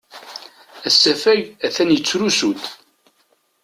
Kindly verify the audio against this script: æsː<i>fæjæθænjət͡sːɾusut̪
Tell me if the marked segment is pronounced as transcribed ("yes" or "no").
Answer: no